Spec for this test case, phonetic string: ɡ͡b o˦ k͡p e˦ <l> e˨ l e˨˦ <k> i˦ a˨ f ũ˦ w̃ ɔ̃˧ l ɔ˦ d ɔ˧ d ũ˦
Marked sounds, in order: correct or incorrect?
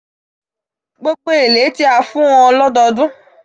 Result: incorrect: none, incorrect: t

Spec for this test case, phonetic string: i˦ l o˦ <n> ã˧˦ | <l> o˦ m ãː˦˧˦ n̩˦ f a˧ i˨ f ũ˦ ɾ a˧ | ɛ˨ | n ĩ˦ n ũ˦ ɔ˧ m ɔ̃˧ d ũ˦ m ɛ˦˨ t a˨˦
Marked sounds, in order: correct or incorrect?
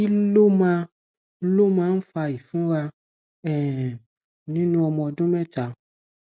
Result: incorrect: m, correct

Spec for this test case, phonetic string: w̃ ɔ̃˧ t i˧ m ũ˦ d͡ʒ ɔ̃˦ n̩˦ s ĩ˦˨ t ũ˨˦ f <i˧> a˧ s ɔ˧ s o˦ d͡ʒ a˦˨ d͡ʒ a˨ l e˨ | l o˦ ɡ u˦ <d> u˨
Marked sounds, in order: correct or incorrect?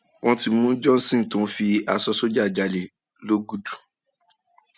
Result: correct, correct

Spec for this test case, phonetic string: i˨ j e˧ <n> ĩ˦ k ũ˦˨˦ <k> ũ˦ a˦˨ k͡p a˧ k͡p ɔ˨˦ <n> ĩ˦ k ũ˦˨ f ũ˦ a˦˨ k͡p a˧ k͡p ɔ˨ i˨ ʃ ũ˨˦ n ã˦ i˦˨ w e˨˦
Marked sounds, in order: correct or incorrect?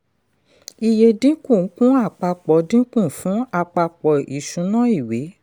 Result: incorrect: d, correct, incorrect: d

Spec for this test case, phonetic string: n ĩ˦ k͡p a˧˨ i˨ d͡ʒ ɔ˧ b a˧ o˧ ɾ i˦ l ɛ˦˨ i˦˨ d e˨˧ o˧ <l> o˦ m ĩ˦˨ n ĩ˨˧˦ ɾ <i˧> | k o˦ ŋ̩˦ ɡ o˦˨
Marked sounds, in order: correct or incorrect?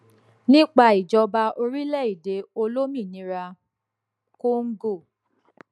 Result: correct, incorrect: a˧

